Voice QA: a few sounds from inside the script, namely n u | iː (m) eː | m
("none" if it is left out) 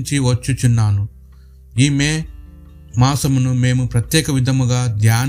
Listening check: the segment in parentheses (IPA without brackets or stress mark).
m